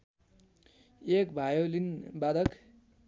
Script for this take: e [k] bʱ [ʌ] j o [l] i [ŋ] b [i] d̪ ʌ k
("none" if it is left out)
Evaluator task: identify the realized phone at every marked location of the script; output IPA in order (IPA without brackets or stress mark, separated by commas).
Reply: k, a, l, n, a